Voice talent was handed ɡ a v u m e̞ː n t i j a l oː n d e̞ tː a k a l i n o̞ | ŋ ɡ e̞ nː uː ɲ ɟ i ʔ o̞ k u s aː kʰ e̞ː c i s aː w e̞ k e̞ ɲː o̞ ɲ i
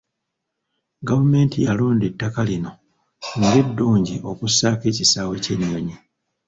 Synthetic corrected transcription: ɡ a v u m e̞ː n t i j a l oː n d e̞ tː a k a l i n o̞ | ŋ ɡ e̞ dː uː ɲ ɟ i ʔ o̞ k u s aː k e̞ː c i s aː w e̞ c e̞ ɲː o̞ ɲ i